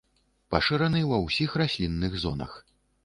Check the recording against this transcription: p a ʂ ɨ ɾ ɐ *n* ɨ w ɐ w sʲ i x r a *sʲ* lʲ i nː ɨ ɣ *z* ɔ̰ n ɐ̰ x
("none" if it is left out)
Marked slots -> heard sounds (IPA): n, sʲ, z

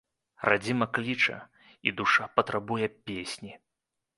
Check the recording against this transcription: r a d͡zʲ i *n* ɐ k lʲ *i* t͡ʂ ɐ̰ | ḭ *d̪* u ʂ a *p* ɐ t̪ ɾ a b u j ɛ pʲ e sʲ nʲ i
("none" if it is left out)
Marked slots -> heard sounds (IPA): m, i, d̪, p

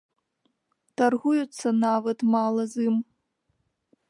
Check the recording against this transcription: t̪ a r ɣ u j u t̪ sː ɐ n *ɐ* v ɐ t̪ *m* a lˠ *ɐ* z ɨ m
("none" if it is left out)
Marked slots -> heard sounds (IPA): a, m, ɐ

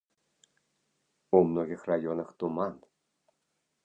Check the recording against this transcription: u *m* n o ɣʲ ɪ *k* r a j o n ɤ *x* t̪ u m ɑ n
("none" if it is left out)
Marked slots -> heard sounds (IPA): m, x, x

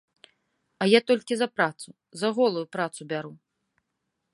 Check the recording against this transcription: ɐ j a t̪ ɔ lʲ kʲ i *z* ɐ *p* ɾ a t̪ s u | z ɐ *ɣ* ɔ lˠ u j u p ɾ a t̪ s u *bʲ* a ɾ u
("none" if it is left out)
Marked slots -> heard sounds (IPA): z, p, ɣ, bʲ

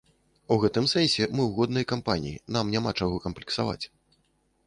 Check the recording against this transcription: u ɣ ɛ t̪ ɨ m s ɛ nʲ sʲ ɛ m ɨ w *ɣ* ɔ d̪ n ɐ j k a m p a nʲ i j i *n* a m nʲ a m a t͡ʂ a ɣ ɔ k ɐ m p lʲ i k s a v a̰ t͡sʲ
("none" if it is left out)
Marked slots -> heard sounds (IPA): ɣ, n

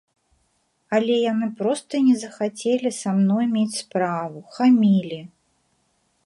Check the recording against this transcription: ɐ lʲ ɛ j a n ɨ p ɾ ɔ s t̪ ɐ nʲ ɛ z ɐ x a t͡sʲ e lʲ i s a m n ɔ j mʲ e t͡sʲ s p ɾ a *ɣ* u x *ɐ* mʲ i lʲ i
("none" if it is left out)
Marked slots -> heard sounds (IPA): v, a

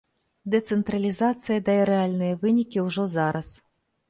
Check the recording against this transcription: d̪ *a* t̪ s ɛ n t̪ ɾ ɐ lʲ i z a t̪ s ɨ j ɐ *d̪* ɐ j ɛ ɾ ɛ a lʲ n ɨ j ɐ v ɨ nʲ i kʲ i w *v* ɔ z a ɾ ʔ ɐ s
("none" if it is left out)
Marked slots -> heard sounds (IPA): ɛ, d̪, ʐ

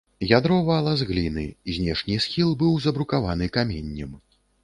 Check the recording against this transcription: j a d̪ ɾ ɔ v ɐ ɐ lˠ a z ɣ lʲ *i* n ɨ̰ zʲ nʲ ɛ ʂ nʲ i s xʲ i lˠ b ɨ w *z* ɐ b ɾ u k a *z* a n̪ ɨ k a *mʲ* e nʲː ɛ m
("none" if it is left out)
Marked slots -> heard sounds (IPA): i, z, v, mʲ

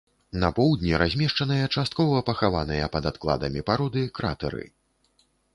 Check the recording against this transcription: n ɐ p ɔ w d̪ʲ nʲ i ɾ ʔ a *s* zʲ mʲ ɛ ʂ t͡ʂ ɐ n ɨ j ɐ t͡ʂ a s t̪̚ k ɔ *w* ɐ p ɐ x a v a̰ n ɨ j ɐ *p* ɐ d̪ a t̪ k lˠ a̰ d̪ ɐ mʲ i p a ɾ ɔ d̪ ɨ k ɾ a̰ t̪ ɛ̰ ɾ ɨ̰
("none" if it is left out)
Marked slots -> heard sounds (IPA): none, v, p

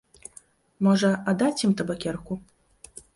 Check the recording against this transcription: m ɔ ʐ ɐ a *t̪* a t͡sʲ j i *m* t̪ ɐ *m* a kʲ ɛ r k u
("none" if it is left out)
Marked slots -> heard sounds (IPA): d̪, m, b

